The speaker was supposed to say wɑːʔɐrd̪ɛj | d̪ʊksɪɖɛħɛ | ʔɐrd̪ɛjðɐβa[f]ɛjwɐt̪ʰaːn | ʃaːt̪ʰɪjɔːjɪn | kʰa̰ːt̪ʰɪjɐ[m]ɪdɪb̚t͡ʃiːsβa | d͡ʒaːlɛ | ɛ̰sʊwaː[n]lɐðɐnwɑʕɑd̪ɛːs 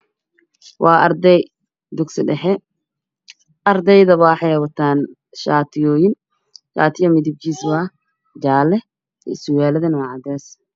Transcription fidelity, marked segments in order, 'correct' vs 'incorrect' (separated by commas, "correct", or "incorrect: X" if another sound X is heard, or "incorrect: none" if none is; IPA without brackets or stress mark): incorrect: ħ, correct, incorrect: none